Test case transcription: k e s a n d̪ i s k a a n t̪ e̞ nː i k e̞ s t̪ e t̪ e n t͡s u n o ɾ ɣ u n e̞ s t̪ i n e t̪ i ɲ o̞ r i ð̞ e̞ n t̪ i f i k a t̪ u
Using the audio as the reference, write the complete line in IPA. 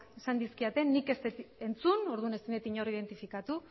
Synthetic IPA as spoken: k e s a n d̪ i s k i a t̪ e̞ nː i k e̞ s t̪ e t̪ e n t͡s u n o ɾ ð u n e̞ s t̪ i n e t̪ i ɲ o̞ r i ð̞ e̞ n t̪ i f i k a t̪ u